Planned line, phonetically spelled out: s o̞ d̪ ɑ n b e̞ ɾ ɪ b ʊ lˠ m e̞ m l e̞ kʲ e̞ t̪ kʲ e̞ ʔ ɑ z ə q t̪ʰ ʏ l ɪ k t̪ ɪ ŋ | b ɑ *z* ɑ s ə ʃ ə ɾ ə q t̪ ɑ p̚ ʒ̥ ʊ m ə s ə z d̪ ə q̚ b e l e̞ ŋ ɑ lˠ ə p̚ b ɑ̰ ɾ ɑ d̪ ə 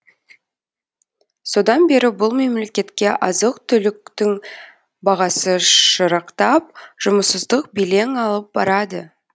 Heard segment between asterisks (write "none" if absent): ʁ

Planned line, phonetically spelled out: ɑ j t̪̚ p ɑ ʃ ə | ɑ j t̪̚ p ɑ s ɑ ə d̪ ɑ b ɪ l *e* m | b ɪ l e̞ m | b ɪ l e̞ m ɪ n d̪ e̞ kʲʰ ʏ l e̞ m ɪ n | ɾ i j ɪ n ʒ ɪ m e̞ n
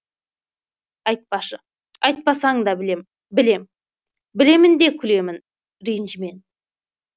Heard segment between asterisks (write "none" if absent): e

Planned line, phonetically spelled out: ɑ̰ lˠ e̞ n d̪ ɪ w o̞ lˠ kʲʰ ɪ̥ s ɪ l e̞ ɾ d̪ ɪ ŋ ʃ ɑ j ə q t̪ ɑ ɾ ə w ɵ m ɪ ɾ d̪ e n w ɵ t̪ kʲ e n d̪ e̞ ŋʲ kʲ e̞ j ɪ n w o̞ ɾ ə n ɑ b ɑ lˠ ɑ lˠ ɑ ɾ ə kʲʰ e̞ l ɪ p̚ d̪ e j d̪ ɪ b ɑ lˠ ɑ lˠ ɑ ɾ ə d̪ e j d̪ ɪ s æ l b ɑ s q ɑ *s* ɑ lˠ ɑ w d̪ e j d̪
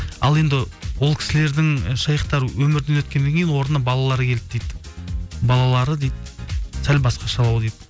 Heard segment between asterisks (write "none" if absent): ʃ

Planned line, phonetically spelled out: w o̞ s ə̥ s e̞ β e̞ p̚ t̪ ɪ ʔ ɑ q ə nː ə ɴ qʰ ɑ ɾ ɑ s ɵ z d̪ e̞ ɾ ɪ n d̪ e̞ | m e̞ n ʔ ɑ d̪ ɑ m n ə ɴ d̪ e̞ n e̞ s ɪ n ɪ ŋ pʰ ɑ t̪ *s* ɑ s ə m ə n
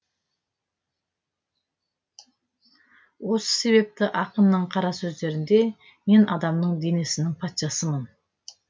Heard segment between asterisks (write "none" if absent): ʃ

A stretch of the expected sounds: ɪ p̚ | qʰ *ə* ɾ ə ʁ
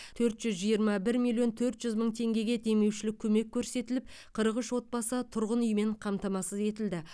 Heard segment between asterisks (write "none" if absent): ə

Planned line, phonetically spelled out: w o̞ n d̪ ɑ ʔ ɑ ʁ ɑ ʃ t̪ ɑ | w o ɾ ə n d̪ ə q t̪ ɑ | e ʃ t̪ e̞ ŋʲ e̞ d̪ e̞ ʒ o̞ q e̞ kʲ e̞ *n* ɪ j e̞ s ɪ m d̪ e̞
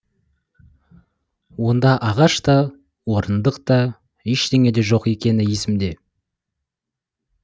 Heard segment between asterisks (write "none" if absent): n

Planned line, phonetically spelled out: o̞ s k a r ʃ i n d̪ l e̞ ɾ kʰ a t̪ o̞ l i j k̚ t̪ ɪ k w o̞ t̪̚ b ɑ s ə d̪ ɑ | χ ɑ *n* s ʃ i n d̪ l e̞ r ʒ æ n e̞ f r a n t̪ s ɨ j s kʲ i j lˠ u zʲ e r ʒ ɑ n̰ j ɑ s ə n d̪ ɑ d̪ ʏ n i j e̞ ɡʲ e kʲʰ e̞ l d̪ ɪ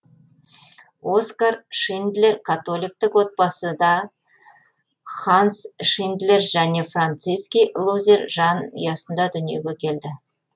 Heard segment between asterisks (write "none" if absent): n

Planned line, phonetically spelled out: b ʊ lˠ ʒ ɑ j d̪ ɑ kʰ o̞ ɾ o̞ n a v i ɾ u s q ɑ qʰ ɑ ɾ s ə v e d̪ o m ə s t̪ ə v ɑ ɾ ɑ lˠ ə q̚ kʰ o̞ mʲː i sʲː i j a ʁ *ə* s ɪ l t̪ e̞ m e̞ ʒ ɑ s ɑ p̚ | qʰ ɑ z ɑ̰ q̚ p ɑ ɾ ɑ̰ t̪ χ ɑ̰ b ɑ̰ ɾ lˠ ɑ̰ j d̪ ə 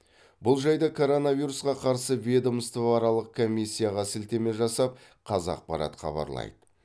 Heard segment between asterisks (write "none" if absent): ɑ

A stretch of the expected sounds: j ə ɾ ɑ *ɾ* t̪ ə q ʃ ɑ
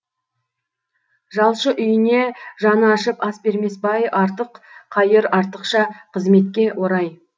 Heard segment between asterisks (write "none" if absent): ɾ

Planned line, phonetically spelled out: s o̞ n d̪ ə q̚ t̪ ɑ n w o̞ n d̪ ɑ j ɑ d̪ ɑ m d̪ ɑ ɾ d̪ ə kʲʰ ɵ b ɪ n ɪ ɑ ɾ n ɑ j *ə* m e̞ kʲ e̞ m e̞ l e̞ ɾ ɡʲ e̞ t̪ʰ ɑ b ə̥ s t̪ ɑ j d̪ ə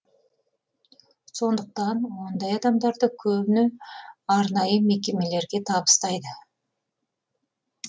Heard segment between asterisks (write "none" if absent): ə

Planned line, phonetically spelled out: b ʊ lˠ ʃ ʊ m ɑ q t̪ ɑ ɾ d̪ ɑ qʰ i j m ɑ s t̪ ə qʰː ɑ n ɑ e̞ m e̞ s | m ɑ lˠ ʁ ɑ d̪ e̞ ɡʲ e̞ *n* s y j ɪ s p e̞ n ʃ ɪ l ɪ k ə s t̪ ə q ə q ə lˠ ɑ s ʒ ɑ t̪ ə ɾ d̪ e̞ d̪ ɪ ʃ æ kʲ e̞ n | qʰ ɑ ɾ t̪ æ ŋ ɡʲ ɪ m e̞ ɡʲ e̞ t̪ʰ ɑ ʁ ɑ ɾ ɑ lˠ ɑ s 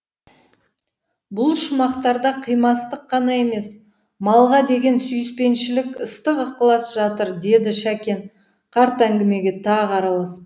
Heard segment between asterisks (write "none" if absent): n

